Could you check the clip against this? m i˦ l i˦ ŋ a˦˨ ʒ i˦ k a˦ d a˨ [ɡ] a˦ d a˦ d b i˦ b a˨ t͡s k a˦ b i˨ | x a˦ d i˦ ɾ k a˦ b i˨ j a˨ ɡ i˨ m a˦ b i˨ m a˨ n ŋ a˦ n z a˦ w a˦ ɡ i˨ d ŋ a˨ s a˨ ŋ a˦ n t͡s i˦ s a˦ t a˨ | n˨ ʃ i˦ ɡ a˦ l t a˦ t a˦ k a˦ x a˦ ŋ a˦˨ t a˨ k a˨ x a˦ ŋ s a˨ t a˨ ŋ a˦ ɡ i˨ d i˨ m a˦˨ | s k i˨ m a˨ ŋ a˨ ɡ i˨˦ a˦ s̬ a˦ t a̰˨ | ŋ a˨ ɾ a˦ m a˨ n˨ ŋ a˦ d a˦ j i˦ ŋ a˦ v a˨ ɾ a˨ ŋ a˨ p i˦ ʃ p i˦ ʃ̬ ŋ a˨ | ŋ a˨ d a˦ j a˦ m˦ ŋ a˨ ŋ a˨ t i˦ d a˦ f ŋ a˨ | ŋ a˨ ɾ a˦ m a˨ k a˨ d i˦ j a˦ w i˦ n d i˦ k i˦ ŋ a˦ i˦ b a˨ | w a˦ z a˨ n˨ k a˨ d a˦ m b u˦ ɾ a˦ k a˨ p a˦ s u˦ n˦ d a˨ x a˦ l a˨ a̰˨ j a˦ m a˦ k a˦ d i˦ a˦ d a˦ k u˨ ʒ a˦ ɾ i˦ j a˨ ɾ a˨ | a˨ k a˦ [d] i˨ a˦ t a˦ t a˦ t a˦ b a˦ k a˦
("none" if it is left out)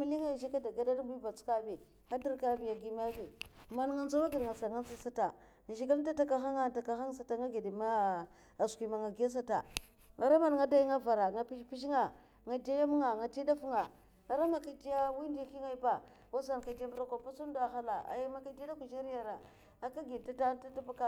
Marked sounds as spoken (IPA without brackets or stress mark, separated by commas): ɡ, ɡ